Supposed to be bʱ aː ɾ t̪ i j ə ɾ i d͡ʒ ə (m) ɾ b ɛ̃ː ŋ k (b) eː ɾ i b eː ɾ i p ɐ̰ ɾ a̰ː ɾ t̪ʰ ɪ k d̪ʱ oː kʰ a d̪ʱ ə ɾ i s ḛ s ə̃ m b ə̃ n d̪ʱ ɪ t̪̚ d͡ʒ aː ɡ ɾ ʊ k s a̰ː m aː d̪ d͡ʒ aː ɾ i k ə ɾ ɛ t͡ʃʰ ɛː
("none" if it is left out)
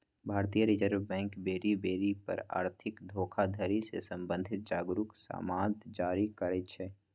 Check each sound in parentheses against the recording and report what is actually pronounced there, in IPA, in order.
none, b

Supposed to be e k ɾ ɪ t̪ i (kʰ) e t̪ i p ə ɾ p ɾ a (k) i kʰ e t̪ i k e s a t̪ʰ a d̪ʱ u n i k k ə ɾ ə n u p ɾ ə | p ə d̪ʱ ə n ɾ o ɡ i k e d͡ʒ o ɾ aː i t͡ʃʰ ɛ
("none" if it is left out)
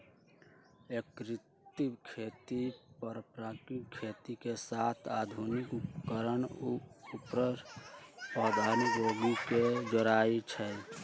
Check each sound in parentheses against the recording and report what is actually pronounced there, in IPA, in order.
kʰ, k

